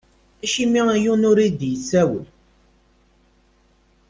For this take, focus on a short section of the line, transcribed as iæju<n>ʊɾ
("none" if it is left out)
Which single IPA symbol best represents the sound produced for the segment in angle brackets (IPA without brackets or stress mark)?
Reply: n